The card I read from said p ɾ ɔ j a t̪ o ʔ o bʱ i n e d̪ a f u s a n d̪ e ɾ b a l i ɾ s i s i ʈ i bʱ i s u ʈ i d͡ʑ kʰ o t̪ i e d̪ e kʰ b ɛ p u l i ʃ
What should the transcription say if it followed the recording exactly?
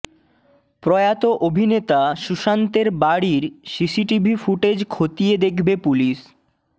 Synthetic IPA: p ɾ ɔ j a t̪ o ʔ o bʱ i n e t̪ a ʃ u ʃ a n t̪ e ɾ b a ɽ i ɾ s i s i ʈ i bʱ i f u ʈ e d͡ʑ kʰ o t̪ i e d̪ e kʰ b e p u l i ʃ